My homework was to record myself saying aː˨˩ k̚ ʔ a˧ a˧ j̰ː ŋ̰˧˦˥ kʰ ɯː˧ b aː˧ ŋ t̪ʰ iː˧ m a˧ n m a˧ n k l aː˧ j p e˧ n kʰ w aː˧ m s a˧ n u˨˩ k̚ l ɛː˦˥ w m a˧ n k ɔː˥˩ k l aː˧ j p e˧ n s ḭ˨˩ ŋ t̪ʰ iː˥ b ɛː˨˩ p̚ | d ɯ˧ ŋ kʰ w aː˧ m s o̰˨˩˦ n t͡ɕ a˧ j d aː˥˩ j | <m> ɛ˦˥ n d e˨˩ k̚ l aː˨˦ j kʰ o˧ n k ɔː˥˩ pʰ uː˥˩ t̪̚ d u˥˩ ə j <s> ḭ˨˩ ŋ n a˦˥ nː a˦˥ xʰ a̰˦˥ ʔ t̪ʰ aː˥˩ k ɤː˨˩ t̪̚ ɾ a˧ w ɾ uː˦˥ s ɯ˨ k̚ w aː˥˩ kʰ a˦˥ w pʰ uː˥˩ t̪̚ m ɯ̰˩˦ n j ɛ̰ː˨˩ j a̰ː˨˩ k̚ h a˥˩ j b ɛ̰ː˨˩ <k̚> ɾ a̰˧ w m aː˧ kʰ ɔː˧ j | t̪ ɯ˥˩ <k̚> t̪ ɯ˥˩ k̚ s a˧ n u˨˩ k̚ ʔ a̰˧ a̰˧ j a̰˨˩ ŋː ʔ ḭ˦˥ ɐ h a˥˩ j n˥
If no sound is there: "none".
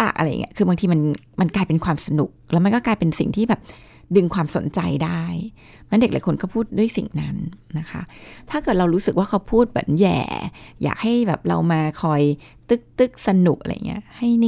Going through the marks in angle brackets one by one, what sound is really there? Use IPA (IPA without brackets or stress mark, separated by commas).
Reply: m, s, p̚, k̚